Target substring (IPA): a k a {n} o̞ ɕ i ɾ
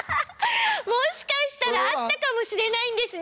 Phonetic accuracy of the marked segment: incorrect: m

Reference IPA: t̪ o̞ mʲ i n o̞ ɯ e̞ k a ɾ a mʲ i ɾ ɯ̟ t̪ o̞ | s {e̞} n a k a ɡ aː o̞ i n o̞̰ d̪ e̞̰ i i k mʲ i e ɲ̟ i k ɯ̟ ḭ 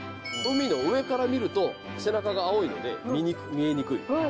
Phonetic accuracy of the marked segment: correct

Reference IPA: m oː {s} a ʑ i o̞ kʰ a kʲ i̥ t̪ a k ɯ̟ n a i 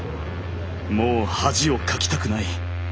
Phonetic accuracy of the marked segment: incorrect: h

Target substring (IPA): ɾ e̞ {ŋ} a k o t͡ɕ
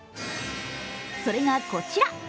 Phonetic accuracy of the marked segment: correct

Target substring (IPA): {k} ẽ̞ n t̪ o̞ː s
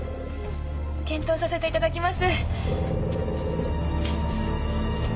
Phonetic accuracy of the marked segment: correct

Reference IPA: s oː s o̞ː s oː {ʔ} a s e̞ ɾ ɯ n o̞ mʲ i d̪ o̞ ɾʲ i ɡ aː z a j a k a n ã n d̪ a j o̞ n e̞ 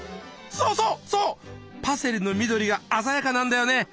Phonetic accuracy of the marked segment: incorrect: p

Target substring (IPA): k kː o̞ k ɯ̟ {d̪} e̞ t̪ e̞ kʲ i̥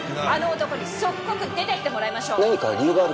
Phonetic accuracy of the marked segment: correct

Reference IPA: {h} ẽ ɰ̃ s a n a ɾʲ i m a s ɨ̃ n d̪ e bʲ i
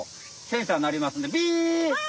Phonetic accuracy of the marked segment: incorrect: s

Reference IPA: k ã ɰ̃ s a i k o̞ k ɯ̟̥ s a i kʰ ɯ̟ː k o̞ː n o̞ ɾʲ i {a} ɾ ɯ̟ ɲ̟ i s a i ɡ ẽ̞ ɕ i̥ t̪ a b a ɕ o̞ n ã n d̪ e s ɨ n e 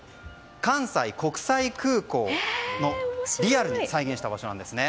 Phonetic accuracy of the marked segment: correct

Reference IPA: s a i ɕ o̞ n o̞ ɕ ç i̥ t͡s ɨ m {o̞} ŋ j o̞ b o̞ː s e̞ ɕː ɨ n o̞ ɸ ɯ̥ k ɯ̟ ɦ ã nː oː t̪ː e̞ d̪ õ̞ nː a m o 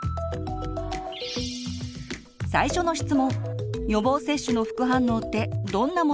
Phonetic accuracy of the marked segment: incorrect: õ̞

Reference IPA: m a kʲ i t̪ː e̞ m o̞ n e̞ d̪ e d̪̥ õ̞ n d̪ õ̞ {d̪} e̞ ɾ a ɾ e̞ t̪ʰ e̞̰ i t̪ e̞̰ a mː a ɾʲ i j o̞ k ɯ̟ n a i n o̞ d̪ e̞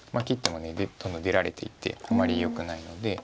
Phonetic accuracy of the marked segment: correct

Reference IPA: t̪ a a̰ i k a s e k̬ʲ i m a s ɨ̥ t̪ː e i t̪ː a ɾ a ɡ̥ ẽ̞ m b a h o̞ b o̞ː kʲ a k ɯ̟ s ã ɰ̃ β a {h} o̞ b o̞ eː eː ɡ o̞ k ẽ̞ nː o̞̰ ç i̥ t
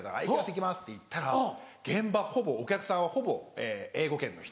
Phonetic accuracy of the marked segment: correct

